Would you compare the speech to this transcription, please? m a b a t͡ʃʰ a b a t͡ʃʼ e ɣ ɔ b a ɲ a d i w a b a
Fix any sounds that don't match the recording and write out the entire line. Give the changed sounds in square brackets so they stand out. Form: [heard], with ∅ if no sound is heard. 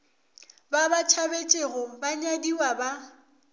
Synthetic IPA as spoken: [b] a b a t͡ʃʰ a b [e] t͡ʃʼ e ɣ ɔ b a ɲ a d i w a b a